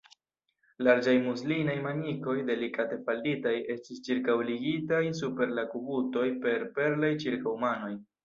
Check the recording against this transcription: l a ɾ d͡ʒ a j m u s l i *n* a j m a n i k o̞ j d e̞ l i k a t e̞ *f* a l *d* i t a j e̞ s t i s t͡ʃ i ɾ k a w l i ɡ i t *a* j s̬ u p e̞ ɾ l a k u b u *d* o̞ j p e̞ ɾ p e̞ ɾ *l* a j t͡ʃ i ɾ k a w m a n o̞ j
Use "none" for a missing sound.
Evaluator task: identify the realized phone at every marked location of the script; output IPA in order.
n, f, d, a, t, l

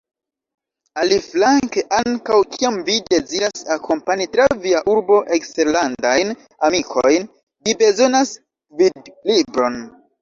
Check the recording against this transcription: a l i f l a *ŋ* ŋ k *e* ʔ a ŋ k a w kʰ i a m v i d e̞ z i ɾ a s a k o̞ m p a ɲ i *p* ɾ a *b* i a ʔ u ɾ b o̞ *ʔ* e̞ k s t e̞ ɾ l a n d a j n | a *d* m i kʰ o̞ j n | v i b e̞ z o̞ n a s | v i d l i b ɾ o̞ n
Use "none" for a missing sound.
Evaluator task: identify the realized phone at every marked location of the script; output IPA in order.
ŋ, e, t, v, ʔ, none

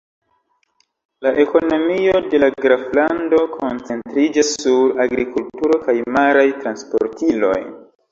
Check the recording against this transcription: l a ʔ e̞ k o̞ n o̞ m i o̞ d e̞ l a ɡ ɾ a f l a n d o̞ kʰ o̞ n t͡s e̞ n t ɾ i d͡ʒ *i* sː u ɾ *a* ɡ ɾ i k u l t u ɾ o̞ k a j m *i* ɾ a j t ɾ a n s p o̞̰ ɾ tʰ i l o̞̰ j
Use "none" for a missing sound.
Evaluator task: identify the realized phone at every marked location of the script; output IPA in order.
a, a, a

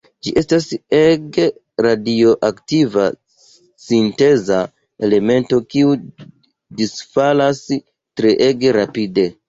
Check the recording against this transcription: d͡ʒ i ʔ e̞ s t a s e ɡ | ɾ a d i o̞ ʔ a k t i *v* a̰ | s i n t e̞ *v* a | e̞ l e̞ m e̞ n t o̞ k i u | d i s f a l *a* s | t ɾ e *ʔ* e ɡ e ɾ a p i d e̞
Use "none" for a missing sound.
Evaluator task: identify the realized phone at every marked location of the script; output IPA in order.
v, z, a, ʔ

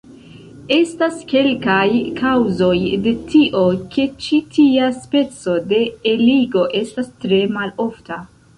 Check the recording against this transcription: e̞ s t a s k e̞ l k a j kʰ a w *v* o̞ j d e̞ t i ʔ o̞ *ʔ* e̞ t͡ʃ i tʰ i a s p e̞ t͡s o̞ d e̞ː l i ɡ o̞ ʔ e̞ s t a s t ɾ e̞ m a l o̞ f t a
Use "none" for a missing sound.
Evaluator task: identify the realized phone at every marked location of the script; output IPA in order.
z, k

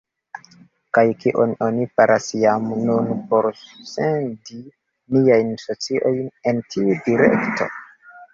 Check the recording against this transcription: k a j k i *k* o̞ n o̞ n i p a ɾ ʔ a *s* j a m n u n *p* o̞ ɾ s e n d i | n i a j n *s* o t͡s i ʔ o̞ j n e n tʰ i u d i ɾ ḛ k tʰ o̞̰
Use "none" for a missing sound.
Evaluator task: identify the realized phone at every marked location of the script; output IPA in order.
ʔ, s, p, s

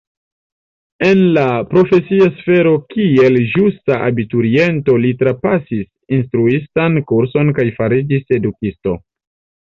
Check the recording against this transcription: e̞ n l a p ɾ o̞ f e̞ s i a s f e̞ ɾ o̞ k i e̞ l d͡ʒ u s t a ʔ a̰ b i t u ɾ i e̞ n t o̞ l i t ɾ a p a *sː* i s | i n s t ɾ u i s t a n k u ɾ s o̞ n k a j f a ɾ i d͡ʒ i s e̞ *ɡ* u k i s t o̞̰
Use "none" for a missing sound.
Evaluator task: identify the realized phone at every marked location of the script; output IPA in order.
s, d

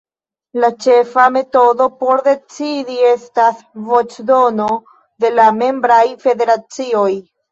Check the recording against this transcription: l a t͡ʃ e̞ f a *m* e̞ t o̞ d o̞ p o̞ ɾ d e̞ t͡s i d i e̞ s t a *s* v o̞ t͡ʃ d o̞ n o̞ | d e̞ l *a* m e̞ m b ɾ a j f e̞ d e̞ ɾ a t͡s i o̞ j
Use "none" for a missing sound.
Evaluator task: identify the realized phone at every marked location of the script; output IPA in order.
m, s, a

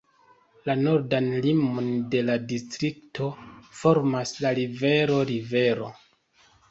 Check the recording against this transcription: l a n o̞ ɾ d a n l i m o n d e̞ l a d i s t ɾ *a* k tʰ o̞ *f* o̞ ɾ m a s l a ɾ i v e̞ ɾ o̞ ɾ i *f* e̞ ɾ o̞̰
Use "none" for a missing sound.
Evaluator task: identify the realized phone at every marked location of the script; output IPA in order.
i, f, v

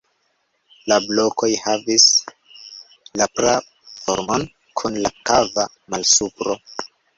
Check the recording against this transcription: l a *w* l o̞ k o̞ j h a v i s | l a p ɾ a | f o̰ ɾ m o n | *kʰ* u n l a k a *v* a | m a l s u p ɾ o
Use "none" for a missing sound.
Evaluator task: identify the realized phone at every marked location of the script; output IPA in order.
b, kʰ, v

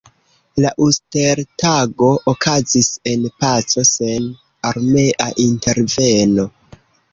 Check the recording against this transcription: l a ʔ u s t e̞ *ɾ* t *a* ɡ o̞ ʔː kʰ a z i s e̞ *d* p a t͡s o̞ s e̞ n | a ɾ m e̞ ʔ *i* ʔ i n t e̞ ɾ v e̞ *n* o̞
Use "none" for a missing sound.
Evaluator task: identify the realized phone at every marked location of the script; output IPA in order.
ɾ, a, n, a, n

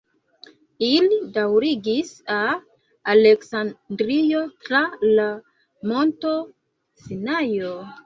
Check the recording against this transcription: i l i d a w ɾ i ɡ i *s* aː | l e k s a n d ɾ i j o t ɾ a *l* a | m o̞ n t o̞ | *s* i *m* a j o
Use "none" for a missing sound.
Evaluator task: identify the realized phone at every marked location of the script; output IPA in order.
s, l, s, n

